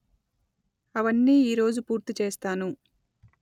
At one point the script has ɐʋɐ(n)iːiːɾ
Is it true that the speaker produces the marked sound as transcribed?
no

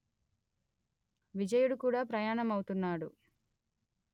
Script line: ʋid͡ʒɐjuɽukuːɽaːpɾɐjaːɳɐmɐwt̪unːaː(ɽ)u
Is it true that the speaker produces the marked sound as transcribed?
yes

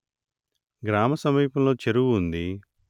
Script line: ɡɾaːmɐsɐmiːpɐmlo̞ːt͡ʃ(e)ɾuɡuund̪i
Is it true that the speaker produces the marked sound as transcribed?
yes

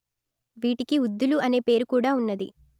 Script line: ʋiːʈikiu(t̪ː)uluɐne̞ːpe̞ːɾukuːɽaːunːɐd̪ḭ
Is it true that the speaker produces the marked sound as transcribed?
no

